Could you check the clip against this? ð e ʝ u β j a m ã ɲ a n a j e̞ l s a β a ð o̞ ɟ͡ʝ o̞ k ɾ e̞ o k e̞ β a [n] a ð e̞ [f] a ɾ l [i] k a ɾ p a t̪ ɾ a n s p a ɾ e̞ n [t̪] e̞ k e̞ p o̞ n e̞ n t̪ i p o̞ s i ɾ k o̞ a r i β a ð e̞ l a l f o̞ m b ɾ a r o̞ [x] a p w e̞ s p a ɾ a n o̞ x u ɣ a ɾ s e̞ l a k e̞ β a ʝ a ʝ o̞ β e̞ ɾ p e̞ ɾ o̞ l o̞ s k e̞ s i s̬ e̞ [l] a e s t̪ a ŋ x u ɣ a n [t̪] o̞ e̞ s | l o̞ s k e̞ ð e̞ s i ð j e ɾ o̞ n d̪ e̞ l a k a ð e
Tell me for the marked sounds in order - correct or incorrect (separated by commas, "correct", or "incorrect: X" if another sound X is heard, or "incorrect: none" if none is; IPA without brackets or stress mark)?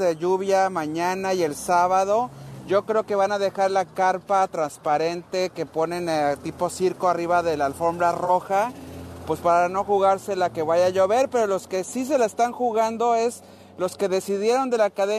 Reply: correct, incorrect: x, incorrect: a, correct, correct, correct, incorrect: d̪